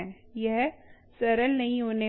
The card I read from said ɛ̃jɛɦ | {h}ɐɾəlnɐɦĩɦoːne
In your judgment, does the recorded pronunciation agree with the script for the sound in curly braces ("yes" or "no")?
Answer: no